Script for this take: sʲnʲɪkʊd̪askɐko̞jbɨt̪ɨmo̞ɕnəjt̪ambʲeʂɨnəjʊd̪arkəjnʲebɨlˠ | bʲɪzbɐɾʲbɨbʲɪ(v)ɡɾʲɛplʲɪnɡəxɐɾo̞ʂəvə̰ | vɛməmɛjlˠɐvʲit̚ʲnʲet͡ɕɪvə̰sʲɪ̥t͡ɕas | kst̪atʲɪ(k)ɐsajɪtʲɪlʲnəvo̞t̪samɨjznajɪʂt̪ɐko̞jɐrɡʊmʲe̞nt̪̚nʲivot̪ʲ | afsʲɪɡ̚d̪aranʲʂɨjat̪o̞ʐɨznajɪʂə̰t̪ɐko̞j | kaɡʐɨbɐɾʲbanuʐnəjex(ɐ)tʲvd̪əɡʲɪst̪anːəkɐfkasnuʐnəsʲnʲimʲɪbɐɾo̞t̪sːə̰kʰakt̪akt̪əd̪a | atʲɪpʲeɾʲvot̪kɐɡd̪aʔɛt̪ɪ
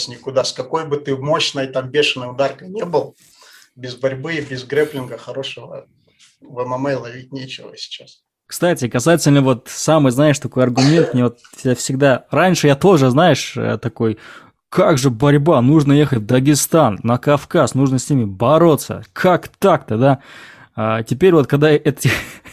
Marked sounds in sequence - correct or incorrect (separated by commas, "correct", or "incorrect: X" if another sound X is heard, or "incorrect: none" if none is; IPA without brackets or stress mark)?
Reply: incorrect: z, correct, incorrect: ə